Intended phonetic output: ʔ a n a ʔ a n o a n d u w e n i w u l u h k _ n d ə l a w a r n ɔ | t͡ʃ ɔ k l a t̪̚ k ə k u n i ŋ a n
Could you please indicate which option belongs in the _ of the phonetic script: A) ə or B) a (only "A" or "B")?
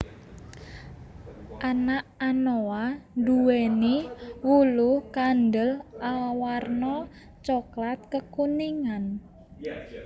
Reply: B